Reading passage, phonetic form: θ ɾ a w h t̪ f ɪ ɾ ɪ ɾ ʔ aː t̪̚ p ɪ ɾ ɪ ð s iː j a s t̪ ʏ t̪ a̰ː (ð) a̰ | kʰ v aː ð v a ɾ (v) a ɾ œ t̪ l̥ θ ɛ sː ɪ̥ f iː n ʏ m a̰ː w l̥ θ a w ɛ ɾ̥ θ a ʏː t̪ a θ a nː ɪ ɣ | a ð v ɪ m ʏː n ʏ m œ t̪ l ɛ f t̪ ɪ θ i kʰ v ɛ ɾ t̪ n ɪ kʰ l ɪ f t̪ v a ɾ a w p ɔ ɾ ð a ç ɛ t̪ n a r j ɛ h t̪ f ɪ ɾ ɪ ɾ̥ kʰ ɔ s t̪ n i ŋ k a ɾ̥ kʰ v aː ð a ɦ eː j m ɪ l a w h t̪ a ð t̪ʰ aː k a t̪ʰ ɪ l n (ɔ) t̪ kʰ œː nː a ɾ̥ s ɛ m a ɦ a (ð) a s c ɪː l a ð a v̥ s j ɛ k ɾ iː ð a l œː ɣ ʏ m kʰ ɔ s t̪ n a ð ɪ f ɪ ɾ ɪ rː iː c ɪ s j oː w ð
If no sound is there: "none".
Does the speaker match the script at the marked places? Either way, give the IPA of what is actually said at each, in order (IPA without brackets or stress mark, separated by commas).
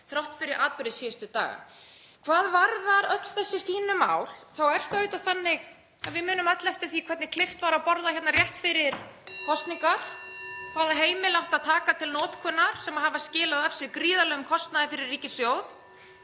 ɣ, ð, ɔː, v